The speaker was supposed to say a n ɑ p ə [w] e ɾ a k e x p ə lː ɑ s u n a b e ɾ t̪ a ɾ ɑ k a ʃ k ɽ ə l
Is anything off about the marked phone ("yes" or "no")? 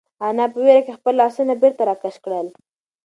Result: no